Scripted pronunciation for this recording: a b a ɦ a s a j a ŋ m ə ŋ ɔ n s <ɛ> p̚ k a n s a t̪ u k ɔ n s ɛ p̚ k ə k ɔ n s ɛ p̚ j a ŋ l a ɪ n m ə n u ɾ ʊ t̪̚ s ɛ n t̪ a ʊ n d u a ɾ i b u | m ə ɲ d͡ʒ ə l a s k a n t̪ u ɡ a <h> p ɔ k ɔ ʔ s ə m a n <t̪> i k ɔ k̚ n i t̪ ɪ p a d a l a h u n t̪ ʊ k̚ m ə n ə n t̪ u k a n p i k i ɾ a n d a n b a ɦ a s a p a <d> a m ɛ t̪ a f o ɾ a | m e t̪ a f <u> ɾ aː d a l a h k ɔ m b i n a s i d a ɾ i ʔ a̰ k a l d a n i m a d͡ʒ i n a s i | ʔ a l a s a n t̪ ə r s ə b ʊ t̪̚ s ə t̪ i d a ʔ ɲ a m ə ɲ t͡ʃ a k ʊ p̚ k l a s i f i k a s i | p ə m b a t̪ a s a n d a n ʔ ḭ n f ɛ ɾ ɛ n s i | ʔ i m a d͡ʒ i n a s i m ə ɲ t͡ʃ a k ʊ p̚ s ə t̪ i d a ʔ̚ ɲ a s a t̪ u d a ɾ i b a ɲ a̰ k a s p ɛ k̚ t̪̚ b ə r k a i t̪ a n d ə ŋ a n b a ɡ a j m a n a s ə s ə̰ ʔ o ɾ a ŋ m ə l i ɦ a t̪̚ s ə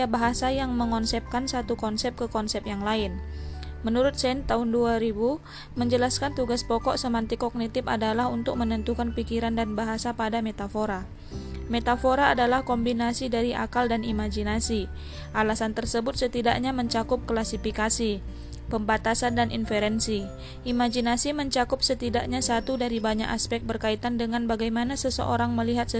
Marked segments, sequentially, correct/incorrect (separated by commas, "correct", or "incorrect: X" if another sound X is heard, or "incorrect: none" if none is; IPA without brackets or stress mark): correct, incorrect: s, correct, correct, incorrect: o